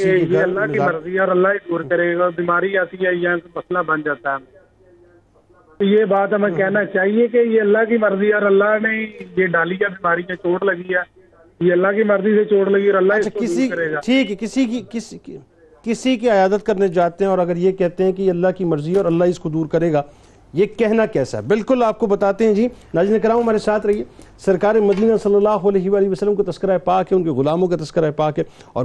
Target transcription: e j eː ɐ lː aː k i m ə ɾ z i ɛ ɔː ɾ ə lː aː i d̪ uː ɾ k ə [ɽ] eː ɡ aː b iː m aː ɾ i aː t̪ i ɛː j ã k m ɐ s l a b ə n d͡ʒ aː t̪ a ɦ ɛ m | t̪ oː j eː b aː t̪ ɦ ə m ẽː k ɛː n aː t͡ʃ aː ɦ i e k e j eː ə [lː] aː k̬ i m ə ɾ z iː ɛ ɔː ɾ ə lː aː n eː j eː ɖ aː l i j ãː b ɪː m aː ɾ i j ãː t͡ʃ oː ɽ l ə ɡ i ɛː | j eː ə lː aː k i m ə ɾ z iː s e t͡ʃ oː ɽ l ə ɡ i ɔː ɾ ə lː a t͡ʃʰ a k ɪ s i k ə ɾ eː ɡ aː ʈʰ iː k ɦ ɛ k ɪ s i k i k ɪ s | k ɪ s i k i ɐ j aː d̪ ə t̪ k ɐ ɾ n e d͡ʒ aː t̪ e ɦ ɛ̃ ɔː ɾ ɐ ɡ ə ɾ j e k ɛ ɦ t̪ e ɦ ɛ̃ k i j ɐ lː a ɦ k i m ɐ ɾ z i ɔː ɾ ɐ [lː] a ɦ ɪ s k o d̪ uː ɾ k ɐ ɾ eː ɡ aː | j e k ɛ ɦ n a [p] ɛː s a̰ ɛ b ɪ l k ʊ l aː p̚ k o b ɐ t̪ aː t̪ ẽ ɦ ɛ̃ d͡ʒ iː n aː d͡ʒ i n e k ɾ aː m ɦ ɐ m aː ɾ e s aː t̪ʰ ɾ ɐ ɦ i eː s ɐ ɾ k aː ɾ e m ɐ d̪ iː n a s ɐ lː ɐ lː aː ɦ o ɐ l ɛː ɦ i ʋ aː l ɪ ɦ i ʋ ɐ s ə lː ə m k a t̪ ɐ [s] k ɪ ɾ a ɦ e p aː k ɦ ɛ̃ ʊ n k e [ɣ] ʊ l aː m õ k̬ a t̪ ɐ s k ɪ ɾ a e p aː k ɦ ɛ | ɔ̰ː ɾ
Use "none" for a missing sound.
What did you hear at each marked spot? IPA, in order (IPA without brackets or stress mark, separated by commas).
ɾ, lː, lː, k, s, ɣ